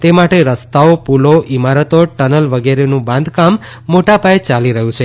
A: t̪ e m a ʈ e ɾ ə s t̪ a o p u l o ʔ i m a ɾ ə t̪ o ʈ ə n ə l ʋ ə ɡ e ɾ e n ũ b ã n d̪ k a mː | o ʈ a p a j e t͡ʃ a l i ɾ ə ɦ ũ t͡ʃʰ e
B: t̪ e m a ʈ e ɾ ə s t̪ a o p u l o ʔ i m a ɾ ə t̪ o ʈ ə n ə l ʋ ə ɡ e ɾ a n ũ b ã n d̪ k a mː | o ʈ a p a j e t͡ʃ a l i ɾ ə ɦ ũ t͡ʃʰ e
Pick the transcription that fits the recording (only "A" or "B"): A